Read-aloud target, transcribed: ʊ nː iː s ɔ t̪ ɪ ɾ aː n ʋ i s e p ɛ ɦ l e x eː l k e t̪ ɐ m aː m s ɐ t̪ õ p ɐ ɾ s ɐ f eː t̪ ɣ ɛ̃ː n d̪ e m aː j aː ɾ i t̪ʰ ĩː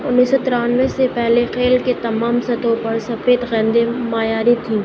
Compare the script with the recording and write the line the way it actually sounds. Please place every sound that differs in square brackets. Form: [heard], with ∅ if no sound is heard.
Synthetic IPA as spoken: ʊ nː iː s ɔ t̪ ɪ ɾ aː n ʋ [e] s e p ɛ ɦ l e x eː l k e t̪ ɐ m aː m s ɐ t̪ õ p ɐ ɾ s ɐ f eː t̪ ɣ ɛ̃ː n d̪ e m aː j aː ɾ i t̪ʰ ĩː